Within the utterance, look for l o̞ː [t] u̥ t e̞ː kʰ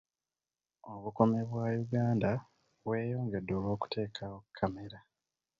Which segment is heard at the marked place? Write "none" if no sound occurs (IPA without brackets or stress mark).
k